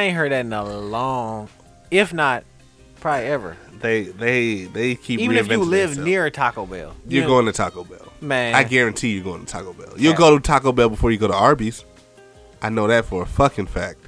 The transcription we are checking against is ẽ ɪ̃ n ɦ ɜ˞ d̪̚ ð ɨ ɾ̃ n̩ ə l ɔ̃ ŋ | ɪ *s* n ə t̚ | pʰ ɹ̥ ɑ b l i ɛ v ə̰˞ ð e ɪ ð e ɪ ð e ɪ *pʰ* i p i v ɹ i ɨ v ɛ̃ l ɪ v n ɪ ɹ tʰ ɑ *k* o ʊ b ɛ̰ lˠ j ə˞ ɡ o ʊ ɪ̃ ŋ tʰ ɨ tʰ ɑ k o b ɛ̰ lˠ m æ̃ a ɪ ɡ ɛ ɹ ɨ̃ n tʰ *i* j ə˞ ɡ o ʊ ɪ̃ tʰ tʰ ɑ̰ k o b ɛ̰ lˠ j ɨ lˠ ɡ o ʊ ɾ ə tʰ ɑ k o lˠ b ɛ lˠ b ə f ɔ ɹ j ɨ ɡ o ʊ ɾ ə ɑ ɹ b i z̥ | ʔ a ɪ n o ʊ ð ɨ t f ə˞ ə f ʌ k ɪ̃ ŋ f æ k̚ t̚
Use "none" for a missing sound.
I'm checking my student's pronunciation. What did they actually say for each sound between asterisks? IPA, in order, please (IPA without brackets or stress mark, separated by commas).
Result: f, kʰ, k, i